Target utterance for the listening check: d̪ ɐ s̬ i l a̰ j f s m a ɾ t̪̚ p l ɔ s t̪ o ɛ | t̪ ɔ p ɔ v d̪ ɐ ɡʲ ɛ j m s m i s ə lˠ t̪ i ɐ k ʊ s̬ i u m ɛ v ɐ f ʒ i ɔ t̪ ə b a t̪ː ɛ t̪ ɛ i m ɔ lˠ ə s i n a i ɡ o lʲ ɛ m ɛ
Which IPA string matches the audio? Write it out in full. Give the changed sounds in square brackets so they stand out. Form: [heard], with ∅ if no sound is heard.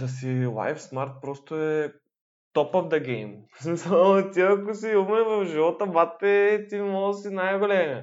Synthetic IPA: d̪ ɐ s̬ i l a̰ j f s m a ɾ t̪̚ p [ɾ] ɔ s t̪ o ɛ | t̪ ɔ p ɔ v d̪ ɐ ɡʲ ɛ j m s m i s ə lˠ t̪ i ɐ k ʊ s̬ i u m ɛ v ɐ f ʒ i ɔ t̪ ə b a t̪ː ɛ t̪ [i] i m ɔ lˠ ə s i n a [j] ɡ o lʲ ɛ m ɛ